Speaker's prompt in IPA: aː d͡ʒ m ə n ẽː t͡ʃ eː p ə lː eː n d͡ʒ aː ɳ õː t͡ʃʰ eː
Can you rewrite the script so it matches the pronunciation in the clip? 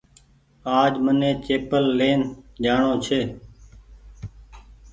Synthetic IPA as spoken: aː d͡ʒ m ə n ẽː t͡ʃ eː p ə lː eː n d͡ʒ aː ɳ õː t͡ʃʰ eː